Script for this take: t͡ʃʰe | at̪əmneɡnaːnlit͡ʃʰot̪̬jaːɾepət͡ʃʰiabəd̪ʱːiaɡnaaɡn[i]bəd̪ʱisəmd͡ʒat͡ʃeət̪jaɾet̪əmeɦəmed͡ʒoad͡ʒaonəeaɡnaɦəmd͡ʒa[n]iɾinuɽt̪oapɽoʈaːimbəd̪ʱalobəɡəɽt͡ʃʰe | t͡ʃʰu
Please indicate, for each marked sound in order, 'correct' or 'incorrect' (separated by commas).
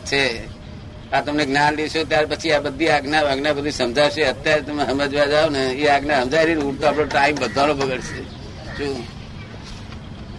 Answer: incorrect, incorrect